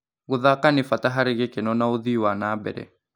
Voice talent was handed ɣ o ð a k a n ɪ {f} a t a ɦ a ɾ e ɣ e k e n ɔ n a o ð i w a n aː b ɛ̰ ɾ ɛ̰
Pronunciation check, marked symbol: correct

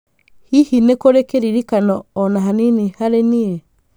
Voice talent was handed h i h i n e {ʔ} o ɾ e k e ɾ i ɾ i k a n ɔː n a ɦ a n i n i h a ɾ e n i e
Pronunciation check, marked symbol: incorrect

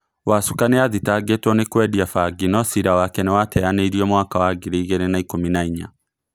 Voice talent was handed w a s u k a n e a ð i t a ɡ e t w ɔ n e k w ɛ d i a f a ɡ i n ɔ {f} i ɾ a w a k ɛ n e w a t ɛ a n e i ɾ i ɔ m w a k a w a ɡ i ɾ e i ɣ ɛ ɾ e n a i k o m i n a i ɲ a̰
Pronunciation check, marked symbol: incorrect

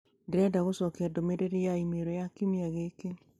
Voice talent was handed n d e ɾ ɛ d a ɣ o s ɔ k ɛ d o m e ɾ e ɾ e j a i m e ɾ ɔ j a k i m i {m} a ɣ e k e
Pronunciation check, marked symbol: incorrect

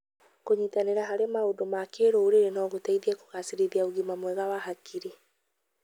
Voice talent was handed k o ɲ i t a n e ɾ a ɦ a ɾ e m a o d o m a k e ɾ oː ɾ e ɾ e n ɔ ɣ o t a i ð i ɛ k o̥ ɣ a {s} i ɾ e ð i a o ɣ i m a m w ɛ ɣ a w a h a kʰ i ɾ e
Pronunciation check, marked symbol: correct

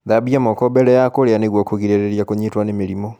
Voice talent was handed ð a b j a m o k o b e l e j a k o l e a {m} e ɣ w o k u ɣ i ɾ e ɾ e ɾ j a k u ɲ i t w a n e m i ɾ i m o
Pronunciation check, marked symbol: incorrect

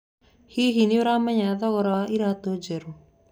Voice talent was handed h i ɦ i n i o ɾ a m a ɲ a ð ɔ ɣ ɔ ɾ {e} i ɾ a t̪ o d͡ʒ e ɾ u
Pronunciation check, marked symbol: incorrect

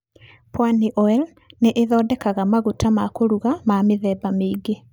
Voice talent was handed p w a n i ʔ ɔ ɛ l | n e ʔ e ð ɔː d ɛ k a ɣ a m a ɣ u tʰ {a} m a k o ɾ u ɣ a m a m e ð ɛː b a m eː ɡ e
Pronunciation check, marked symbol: correct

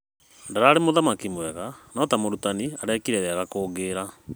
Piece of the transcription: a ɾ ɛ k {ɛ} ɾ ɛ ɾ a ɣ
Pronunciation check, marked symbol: incorrect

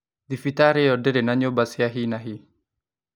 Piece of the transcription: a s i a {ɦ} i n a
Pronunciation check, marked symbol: correct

